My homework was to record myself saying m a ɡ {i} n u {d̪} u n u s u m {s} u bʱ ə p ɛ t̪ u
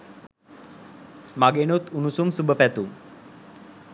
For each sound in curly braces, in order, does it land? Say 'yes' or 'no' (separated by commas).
no, no, yes